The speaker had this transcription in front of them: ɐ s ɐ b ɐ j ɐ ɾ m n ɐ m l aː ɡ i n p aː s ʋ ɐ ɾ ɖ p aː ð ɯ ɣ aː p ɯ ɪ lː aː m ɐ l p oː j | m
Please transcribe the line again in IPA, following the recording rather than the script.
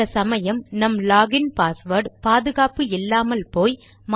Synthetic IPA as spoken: ɐ s ɐ m ɐ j ɐ m n ɐ m l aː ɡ ɪ n p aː s ʋ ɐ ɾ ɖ p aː ð ɯ ɣ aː p ɯ ɪ lː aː m ɐ l p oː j | m

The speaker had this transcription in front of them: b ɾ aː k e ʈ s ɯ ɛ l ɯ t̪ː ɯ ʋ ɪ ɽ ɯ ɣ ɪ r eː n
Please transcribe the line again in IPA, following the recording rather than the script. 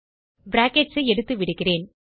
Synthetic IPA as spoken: b ɾ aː k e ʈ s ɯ ɛ ɽ ɯ t̪ː ɯ ʋ ɪ ɽ ɯ ɣ ɪ r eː n

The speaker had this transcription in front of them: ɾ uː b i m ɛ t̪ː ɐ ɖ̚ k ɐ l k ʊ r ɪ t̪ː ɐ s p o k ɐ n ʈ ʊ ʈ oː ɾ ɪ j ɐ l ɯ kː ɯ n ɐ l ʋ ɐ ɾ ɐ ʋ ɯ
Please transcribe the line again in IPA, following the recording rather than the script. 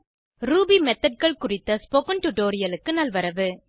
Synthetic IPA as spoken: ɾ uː b i m ɛ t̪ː ɐ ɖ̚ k ɐ ɭ k ʊ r ɪ t̪ː ɐ s p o k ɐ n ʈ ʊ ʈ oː ɾ ɪ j ɐ l ɯ kː ɯ n ɐ l ʋ ɐ ɾ ɐ ʋ ɯ

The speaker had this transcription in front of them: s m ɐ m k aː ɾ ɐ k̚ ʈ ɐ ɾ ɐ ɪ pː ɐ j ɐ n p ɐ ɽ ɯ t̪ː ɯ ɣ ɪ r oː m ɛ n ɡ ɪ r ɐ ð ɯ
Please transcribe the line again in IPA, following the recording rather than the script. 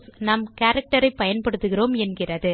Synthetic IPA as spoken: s n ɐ m k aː ɾ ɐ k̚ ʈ ɐ ɾ ɐ ɪ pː ɐ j ɐ n p ɐ ɽ ɯ t̪ː ɯ ɣ ɪ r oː m ɛ n ɡ ɪ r ɐ ð ɯ

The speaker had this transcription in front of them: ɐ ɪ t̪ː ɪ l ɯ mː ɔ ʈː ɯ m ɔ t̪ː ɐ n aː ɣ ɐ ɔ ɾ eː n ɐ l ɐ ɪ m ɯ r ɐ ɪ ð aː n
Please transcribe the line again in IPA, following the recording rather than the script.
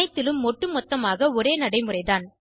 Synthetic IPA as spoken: ɐ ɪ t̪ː ɪ l ɯ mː ɔ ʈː ɯ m ɔ t̪ː ɐ m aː ɣ ɐ ɔ ɾ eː n ɐ ɽ ɐ ɪ m ɯ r ɐ ɪ ð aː n

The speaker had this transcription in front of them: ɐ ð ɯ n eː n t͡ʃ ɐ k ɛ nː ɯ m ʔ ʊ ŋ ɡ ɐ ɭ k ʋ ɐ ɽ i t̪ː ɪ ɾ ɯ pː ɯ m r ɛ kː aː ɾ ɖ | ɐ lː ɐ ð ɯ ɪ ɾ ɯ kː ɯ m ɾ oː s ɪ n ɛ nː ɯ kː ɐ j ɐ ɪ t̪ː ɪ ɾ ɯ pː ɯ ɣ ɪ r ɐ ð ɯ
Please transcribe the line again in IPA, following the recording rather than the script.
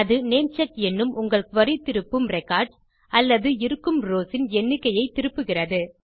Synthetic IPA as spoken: ɐ ð ɯ n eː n t͡ʃ ɐ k ɛ nː ɯ m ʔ ʊ ŋ ɡ ɐ ɭ k ʋ ɐ ɾ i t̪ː ɪ ɾ ɯ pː ɯ m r ɛ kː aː ɾ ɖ | ɐ lː ɐ ð ɯ ɪ ɾ ɯ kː ɯ m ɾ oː s ɪ n ɛ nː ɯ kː ɐ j ɐ ɪ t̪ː ɪ ɾ ɯ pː ɯ ɣ ɪ r ɐ ð ɯ

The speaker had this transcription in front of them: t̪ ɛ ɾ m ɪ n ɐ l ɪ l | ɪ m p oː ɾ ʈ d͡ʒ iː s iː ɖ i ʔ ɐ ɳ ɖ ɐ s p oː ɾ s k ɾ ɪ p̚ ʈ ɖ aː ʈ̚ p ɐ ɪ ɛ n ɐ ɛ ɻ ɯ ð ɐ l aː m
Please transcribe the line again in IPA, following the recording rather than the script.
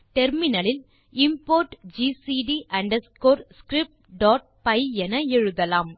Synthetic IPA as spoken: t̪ ɛ ɾ m ɪ n ɐ l ɪ l | ɪ m p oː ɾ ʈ d͡ʒ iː s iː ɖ i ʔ ɐ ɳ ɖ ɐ s k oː ɾ s k ɾ ɪ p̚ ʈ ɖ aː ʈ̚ p ɐ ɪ ɛ n ɐ ɛ ɻ ɯ ð ɐ l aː m

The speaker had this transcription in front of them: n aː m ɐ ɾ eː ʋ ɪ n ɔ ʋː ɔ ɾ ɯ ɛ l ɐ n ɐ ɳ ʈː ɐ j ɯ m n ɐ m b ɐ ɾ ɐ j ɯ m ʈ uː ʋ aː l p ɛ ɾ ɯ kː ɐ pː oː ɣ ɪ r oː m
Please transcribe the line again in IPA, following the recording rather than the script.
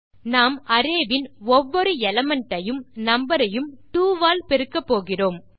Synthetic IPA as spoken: n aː m ɐ ɾ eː ʋ ɪ n ɔ ʋː ɔ ɾ ɯ ɛ l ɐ m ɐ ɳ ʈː ɐ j ɯ m n ɐ m b ɐ ɾ ɐ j ɯ m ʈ uː ʋ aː l p ɛ ɾ ɯ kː ɐ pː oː ɣ ɪ r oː m

